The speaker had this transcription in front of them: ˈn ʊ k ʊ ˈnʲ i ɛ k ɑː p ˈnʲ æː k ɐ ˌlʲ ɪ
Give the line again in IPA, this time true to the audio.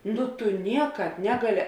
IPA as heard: ˈn ʊ t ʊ ˈnʲ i ɛ k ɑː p ˈnʲ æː ɡ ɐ ˌlʲ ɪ